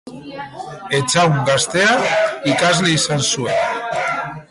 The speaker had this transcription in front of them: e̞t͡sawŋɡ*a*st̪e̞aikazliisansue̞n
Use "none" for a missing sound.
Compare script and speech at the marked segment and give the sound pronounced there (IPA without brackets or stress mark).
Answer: a